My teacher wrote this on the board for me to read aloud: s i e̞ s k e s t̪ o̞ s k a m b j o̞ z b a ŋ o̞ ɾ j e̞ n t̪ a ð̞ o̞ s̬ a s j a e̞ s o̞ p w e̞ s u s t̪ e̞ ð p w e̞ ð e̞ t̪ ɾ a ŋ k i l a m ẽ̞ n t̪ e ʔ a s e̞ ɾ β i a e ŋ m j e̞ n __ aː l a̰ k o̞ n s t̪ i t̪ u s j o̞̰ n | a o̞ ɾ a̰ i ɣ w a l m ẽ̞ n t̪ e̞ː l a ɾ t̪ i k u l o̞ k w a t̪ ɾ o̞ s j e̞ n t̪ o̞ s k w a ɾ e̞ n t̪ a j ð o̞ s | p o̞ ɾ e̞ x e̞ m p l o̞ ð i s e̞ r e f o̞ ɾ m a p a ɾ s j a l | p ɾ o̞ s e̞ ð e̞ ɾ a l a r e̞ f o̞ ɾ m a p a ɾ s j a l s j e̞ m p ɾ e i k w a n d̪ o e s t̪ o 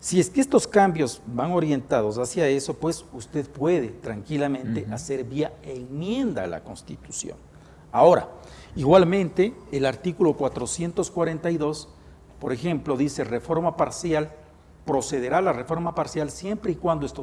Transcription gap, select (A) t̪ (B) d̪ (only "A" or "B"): B